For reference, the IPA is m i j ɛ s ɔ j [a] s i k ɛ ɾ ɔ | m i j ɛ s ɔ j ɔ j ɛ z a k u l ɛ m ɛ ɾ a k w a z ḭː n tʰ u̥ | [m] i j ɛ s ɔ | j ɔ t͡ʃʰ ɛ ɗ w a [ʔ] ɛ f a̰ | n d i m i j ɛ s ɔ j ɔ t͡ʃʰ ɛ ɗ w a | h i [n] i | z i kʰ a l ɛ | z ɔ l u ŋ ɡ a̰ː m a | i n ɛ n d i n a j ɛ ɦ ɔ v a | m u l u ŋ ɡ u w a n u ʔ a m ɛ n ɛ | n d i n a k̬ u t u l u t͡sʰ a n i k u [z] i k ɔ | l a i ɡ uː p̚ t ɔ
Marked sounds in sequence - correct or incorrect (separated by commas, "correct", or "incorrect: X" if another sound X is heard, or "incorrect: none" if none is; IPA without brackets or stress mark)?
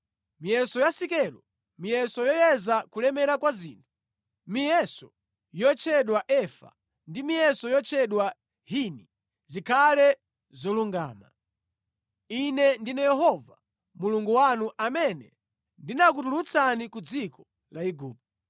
correct, correct, correct, correct, incorrect: d͡z